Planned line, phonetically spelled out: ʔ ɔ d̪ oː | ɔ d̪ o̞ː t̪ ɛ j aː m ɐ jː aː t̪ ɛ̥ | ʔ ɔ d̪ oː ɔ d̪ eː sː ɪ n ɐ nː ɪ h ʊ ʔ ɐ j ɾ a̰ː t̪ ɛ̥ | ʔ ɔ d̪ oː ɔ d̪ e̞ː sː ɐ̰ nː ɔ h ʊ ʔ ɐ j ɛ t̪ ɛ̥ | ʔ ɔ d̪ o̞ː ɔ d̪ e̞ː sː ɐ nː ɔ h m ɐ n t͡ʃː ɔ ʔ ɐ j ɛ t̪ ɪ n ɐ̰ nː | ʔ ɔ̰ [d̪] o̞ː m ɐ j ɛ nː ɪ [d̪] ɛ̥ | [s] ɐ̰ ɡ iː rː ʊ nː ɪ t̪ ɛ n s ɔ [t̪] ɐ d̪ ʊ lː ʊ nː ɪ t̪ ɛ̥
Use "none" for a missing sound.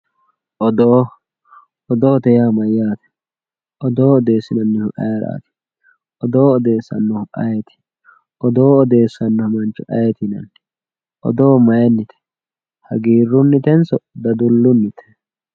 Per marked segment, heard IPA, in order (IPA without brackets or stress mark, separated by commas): d̪, t̪, h, d̪